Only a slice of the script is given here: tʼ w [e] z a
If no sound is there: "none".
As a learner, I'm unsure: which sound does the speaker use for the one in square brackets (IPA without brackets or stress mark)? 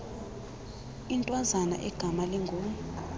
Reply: a